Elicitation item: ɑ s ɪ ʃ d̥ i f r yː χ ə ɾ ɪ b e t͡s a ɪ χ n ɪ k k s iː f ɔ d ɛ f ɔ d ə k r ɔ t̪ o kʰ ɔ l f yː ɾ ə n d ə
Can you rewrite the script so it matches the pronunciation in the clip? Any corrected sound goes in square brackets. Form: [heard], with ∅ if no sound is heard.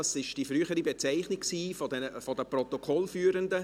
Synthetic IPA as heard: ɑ s ɪ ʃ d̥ i f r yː χ ə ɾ [i] b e t͡s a ɪ χ n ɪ k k s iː f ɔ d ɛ f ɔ d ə [p] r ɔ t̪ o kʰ ɔ l f yː ɾ ə n d ə

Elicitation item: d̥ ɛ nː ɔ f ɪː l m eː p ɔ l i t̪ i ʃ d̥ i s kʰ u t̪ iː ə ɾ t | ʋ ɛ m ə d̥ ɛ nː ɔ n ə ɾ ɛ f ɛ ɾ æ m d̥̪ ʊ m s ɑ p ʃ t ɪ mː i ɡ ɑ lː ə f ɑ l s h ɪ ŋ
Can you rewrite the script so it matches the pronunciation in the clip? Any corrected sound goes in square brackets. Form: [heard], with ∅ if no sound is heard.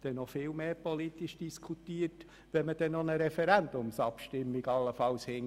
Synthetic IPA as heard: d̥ ɛ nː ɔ f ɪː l m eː p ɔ l i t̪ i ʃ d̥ i s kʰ u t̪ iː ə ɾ t | ʋ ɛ m ə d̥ ɛ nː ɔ n ə ɾ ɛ f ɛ ɾ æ [n] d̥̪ ʊ m s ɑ p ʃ t ɪ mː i ɡ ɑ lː ə f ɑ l s h ɪ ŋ

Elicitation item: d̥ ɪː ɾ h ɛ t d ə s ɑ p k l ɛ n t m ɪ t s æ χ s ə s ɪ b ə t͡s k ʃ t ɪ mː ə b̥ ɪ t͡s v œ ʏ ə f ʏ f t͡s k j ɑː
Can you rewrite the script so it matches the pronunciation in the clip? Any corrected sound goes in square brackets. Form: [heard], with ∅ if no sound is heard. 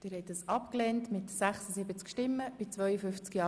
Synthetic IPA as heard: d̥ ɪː ɾ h ɛ t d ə s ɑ p k l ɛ n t m ɪ t s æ χ s ə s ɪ b ə t͡s k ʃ t ɪ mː ə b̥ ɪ t͡s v œ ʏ ə f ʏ f t͡s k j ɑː

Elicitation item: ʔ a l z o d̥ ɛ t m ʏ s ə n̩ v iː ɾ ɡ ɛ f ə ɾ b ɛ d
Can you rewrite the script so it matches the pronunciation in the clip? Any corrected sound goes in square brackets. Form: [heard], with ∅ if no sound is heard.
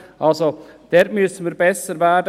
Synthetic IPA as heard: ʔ a l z o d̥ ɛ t m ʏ s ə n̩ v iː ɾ [b] ɛ [s] ə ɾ [v] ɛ d

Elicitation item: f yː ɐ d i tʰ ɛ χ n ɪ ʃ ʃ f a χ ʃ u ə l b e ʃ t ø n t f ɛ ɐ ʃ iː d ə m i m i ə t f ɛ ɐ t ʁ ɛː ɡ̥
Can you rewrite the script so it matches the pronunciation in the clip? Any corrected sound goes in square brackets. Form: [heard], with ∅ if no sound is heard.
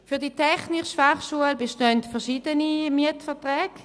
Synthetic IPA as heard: f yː ɐ d i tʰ ɛ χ n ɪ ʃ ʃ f a χ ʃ u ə l b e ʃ t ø n t f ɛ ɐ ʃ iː d ə [n] i m i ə t f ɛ ɐ t ʁ ɛː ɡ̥

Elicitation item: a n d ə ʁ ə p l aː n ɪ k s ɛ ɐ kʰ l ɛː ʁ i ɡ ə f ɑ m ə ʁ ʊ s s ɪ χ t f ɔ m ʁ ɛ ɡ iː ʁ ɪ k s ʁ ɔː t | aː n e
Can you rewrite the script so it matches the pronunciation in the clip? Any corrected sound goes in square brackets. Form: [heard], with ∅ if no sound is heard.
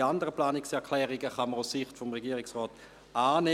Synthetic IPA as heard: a n d ə ʁ ə p l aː n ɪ k s ɛ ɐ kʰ l ɛː ʁ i ɡ ə [χ] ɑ m ə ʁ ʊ s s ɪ χ t f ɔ m ʁ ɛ ɡ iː ʁ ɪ k s ʁ ɔː t | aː n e

